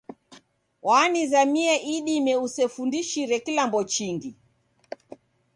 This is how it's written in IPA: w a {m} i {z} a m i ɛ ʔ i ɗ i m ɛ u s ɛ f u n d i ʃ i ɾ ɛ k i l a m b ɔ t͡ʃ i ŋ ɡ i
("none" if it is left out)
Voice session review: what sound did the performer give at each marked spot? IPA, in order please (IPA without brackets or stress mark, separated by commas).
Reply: n, z